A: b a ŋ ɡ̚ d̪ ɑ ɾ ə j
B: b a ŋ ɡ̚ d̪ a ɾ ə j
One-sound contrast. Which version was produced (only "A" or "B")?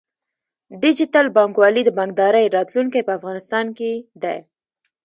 A